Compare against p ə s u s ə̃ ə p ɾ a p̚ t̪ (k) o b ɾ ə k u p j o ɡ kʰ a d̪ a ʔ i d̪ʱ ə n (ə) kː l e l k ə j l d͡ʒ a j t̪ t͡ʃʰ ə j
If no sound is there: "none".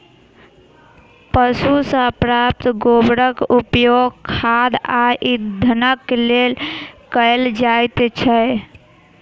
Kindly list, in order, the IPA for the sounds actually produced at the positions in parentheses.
ɡ, ə

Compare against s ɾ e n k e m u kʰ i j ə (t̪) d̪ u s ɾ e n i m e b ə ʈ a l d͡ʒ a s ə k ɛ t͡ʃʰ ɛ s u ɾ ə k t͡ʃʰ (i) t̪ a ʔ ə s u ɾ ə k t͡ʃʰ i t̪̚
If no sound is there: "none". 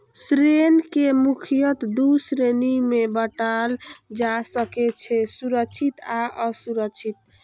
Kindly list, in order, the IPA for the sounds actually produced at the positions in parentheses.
t̪, i

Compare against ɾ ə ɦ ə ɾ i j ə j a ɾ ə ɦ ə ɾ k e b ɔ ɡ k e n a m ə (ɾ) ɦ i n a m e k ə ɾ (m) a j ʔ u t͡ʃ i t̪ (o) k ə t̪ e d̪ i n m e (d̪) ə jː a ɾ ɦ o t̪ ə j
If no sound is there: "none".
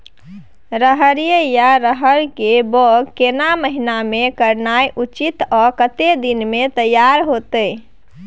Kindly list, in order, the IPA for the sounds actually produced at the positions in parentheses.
none, n, ɔ, t̪

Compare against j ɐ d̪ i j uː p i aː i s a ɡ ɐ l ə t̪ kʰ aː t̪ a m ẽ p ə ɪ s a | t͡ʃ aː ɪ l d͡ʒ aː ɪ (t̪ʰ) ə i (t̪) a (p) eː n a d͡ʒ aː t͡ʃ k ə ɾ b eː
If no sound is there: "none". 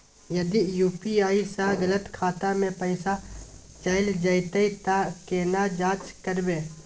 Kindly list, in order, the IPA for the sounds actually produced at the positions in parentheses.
t̪, t̪, k

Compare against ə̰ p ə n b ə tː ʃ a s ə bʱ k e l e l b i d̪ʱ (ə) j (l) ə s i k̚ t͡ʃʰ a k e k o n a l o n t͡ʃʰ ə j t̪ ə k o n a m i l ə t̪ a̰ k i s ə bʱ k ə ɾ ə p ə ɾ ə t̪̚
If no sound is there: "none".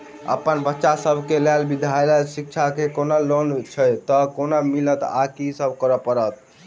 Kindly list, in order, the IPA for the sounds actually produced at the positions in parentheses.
a, l

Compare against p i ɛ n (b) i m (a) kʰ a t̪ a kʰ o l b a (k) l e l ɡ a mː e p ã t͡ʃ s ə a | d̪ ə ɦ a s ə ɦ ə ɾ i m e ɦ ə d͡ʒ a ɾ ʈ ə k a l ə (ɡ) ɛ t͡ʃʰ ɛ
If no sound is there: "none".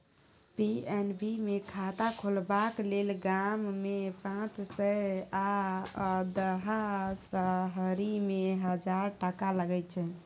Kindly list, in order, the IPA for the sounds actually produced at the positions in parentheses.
b, e, k, ɡ

